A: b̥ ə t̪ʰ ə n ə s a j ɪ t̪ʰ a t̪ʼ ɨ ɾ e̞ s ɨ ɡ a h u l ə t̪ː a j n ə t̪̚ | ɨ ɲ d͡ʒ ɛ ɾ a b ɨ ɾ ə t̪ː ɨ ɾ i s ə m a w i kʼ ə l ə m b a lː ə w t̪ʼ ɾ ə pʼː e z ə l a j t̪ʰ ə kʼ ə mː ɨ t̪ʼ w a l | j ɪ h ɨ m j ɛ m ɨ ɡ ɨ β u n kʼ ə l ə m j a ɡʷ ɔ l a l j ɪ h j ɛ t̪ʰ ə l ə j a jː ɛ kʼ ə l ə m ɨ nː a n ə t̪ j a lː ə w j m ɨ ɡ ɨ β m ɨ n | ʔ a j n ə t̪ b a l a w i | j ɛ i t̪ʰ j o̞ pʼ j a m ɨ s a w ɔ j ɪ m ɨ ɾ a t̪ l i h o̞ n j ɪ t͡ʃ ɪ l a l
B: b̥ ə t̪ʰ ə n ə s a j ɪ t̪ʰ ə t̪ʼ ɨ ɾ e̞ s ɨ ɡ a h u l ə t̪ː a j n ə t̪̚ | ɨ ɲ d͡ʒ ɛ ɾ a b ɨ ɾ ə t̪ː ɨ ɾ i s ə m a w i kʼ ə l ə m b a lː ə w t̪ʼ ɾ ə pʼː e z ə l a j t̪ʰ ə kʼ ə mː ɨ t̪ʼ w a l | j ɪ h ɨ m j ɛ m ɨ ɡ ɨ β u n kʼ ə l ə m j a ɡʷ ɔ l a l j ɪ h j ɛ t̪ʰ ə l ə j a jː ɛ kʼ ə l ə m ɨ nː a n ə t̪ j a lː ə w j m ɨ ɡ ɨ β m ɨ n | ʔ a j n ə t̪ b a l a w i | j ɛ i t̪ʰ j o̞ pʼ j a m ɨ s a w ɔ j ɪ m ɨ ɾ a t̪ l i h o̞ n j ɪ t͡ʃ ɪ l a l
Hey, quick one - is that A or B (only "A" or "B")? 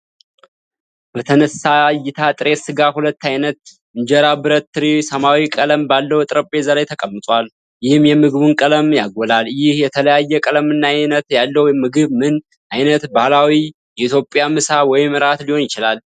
A